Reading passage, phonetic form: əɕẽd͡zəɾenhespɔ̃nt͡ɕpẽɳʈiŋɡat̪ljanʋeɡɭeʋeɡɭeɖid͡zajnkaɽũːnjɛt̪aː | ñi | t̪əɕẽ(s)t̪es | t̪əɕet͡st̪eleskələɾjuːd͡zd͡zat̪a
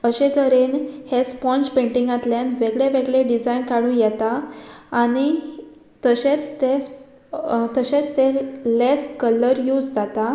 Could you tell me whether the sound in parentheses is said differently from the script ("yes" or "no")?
yes